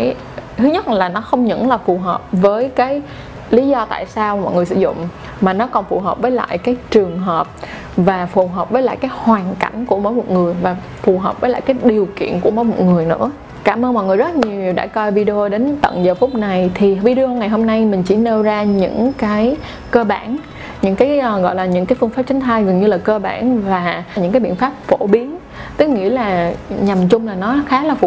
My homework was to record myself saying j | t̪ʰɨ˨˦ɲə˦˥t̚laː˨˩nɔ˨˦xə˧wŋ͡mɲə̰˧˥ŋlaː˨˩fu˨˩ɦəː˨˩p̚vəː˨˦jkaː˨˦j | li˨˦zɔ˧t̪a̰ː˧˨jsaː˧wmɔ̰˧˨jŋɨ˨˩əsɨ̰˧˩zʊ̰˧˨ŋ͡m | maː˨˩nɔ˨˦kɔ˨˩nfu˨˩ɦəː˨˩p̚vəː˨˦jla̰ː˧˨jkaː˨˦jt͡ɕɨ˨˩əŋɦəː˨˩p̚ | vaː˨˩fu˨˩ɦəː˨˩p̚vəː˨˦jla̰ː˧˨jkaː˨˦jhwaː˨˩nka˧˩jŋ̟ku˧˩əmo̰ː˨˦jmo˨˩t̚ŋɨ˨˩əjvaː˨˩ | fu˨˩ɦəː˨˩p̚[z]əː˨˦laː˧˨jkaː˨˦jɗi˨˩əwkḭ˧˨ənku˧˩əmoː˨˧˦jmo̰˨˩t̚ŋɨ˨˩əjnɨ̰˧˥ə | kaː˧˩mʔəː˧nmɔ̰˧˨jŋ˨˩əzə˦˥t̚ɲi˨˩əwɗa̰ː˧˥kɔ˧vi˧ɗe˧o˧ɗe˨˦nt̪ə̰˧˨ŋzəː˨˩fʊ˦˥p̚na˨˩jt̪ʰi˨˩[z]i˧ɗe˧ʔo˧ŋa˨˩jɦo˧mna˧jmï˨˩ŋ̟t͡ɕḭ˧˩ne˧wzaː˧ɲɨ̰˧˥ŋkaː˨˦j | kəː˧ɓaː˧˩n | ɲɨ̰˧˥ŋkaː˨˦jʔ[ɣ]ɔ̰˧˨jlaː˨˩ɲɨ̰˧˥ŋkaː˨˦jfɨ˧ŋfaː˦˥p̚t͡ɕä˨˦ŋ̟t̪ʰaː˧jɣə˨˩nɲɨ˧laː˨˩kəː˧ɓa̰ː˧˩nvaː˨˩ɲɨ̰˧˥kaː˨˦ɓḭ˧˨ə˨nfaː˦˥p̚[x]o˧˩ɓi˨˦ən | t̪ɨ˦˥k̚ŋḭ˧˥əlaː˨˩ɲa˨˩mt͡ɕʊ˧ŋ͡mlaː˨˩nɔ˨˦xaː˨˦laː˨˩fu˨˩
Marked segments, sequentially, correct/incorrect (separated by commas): incorrect, incorrect, correct, incorrect